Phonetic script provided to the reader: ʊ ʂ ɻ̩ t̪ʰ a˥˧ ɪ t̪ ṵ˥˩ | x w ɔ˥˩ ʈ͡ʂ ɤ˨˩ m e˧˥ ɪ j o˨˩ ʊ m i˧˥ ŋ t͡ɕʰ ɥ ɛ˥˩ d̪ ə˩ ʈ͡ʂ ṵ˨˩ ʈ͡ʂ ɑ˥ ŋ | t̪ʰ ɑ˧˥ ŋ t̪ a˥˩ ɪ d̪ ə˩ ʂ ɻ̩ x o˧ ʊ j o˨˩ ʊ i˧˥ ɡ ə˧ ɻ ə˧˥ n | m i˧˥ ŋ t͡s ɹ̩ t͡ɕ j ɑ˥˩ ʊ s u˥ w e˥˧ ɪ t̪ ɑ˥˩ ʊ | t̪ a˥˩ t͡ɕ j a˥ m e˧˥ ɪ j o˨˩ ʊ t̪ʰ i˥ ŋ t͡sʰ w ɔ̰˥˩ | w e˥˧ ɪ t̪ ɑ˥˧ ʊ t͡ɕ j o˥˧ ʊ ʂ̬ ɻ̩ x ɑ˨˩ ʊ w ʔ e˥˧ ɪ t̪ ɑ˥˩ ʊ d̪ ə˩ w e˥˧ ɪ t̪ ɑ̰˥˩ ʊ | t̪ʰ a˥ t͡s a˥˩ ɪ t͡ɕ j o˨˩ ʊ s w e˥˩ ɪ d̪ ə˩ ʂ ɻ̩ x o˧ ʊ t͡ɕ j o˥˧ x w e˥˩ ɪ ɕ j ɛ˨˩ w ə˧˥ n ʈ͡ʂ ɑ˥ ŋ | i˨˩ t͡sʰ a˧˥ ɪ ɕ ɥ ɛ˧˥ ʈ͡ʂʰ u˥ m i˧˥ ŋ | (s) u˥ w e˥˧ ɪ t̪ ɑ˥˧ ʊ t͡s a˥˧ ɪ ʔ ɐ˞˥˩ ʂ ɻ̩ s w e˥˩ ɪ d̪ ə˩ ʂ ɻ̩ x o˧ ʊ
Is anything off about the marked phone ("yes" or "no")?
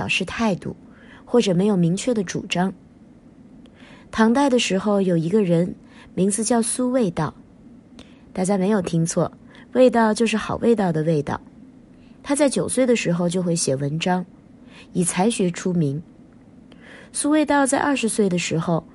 no